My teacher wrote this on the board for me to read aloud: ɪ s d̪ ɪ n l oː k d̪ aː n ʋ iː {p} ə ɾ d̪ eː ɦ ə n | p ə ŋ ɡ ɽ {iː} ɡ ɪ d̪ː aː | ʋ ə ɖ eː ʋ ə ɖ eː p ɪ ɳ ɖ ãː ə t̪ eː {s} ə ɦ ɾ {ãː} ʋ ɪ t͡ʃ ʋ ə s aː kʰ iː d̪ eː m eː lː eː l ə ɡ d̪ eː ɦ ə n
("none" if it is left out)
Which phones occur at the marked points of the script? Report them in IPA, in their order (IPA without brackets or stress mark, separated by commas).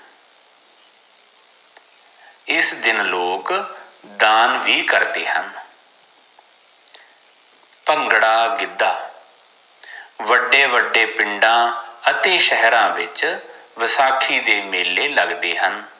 k, aː, ʃ, ãː